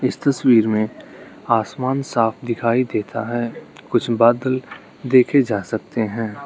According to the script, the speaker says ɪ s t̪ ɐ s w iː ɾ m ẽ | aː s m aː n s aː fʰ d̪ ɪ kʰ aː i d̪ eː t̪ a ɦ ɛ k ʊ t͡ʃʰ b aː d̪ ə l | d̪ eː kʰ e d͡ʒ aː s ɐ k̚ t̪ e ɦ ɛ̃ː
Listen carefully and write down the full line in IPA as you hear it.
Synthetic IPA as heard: ɪ s t̪ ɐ s w iː ɾ m ẽ | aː s m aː n s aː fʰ d̪ ɪ kʰ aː i d̪ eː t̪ a ɦ ɛ k ʊ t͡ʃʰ b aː d̪ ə l | d̪ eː kʰ e d͡ʒ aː s ɐ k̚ t̪ e ɦ ɛ̃ː